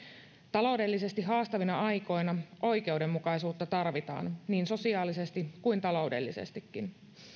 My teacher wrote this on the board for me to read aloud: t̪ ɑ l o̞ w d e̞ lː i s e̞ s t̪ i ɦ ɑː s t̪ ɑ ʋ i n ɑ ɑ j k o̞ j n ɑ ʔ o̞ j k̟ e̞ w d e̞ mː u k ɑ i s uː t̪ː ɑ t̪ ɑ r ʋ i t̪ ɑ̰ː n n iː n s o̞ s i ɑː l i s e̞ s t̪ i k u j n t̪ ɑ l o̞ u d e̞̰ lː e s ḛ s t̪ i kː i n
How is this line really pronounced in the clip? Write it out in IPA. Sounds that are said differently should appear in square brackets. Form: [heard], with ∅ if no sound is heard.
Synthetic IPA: t̪ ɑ l o̞ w d e̞ lː i s e̞ s t̪ i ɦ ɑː s t̪ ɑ ʋ i n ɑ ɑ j k o̞ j n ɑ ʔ o̞ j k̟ e̞ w d e̞ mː u k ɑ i s uː t̪ː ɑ t̪ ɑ r ʋ i t̪ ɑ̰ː n n iː n s o̞ s i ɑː l i s e̞ s t̪ i k u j n t̪ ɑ l o̞ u d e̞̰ lː [i] s ḛ s t̪ i kː i n